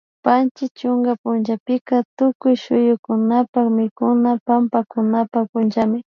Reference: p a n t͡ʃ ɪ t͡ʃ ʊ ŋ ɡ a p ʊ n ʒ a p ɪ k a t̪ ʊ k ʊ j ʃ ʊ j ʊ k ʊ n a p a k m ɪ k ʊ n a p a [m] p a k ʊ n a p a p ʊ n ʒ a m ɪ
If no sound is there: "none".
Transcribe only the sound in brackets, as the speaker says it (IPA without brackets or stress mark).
m